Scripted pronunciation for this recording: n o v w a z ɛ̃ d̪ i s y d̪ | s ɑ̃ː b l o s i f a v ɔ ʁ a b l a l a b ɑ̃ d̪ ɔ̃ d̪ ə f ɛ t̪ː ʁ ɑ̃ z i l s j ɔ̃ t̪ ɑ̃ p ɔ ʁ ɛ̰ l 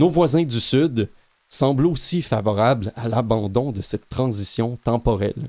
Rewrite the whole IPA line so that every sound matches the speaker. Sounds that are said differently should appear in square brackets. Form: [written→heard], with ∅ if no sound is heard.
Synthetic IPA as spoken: n o v w a z ɛ̃ d̪ [i→y] s y d̪ | s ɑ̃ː b l o s i f a v ɔ ʁ a b l a l a b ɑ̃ d̪ ɔ̃ d̪ ə [f→s] ɛ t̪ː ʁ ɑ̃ z i [l→∅] s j ɔ̃ t̪ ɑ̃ p ɔ ʁ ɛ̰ l